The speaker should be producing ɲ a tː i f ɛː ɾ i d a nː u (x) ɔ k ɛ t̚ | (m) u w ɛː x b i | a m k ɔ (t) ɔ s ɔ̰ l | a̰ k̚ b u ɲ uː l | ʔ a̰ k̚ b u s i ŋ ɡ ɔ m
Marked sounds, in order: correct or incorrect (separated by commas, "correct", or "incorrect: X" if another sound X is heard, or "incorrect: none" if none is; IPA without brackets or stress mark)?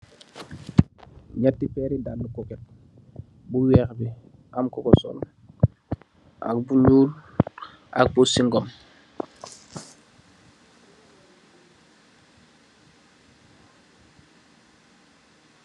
incorrect: k, incorrect: b, incorrect: k